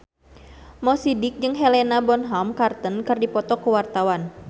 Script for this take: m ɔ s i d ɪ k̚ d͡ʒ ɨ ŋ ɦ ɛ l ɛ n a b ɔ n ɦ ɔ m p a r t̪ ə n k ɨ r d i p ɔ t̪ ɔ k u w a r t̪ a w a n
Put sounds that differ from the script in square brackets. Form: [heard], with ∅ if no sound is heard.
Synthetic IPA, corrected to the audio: m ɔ s i d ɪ k̚ d͡ʒ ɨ ŋ ɦ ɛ l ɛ n a b ɔ n ɦ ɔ m [k] a r t̪ ə n k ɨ r d i p ɔ t̪ ɔ k u w a r t̪ a w a n